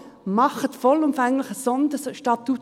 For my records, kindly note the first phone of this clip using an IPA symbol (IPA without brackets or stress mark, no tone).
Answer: m